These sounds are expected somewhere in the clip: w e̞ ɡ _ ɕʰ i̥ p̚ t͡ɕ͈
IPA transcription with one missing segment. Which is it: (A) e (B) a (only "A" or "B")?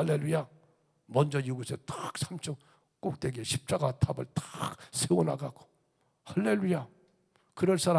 A